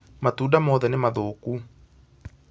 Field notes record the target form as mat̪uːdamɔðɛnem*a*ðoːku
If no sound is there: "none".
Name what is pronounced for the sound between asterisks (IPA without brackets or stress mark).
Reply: a